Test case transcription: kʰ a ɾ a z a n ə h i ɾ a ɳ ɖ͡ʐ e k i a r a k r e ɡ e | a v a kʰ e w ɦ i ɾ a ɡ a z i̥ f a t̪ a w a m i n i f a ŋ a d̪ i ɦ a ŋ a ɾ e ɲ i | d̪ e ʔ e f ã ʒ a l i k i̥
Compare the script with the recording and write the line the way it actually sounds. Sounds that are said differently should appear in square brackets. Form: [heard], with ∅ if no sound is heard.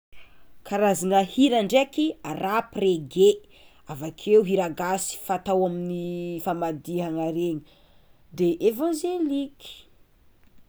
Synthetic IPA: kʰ a ɾ a z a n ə h i ɾ a ɳ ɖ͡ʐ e k i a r a [p] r e ɡ e | a v a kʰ e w ɦ i ɾ a ɡ a [s] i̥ f a t̪ a w a m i n i f a [m] a d̪ i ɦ a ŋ a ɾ e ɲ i | d̪ e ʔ e [v] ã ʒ [e] l i k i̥